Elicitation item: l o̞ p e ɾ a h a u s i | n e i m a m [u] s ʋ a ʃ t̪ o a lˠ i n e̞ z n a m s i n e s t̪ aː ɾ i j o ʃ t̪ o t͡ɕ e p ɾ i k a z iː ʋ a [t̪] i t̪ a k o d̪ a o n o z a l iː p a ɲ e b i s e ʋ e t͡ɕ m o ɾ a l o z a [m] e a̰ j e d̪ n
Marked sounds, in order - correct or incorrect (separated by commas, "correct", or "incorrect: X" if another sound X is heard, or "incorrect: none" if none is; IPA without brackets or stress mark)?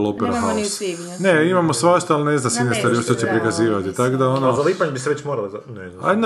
incorrect: o, correct, incorrect: n